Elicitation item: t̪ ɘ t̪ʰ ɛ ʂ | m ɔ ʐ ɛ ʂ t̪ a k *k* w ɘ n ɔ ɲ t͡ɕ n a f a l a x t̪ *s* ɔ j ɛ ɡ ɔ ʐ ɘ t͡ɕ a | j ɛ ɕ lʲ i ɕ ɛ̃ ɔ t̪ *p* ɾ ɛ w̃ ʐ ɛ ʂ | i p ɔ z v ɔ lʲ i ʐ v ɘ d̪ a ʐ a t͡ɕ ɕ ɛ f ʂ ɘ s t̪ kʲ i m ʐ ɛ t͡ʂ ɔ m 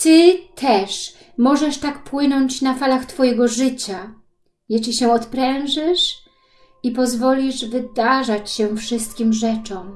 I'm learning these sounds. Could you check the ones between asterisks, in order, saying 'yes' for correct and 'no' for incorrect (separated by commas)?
no, no, yes